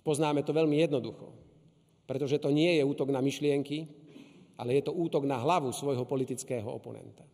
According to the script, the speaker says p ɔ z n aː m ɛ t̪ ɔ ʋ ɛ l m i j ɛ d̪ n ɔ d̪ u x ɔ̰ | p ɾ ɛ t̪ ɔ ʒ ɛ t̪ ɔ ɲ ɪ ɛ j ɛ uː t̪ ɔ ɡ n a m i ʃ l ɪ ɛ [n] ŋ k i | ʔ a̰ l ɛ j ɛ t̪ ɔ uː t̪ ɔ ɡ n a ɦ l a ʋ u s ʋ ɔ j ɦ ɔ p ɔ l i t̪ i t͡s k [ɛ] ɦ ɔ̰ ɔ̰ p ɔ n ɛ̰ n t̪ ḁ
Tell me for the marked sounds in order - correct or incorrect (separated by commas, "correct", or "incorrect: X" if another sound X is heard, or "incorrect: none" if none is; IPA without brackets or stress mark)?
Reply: incorrect: none, incorrect: ɛː